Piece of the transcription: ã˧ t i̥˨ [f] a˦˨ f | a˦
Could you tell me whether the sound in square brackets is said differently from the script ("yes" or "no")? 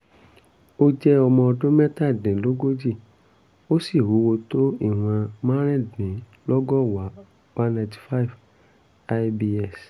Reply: no